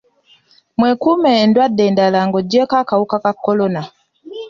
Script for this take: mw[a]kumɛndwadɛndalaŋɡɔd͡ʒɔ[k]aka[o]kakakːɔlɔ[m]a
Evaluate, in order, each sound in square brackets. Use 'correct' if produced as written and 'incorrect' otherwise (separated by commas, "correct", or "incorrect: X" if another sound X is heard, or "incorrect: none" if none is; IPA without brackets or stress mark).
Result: incorrect: ɛ, correct, incorrect: u, incorrect: n